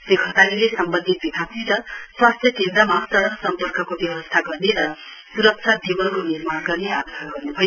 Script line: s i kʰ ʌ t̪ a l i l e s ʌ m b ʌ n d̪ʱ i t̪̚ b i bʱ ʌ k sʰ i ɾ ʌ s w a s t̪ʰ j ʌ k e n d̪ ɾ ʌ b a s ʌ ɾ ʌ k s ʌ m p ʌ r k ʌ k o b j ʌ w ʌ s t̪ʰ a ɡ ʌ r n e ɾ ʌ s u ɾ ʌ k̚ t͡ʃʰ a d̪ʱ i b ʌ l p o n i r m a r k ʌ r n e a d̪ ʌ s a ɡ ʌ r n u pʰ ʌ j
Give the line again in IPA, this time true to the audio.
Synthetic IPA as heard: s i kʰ ʌ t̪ a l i l e s ʌ m b ʌ n d̪ʱ i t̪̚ b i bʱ a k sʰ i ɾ ʌ s w a s t̪ʰ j ʌ k e n d̪ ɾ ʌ m a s ʌ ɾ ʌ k s ʌ m p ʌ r k ʌ k o b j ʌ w ʌ s t̪ʰ a ɡ ʌ r n e ɾ ʌ s u ɾ ʌ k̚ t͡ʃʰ a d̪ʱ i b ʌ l k o n i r m a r ɡ ʌ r n e a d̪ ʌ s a ɡ ʌ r n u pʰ ʌ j